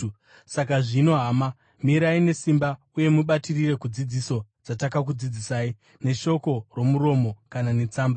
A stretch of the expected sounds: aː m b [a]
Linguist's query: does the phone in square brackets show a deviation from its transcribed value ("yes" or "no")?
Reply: no